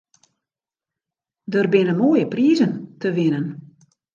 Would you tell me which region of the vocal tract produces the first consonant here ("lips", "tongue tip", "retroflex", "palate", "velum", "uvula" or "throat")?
tongue tip